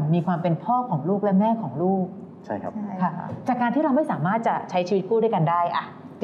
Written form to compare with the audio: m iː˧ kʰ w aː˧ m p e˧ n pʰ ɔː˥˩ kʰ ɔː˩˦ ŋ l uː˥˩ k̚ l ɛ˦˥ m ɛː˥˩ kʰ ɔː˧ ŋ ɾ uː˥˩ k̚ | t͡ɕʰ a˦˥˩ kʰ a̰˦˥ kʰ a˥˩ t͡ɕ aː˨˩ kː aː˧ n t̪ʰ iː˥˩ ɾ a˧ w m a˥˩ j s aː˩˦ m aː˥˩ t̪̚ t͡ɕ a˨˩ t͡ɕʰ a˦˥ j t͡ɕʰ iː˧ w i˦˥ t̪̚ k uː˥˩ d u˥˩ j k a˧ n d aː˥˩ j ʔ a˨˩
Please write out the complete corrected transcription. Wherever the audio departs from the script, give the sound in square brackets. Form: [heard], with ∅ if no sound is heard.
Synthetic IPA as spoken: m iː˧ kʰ w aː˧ m p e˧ n pʰ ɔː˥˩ kʰ ɔː˩˦ ŋ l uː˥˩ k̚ l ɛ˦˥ m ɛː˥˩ kʰ [ɔː˩˦] ŋ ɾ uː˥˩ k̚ | t͡ɕʰ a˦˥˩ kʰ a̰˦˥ kʰ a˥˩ t͡ɕ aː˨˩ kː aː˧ n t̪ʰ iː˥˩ ɾ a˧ w m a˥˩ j s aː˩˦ m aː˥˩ t̪̚ t͡ɕ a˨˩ t͡ɕʰ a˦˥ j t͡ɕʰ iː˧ w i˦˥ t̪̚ k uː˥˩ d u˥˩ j k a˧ n d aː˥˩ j ʔ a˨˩